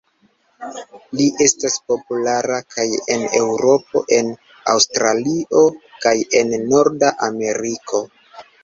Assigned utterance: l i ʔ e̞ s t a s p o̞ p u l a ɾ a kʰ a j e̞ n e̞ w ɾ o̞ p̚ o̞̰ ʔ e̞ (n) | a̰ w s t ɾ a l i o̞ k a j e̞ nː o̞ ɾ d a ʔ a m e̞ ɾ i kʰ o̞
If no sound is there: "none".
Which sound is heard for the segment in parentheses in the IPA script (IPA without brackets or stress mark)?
n